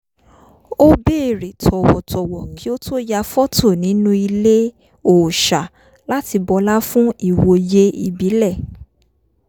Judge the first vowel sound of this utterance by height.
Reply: mid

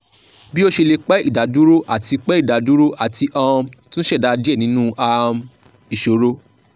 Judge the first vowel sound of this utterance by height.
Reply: high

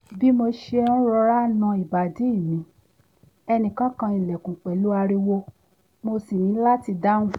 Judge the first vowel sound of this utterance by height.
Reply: high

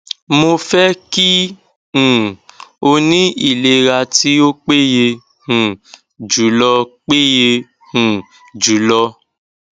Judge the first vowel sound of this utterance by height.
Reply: mid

